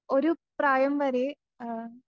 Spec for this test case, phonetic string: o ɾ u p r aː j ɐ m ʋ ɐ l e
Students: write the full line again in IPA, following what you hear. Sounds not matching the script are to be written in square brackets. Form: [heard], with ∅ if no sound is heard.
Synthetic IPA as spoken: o ɾ u p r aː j ɐ m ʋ ɐ [ɾ] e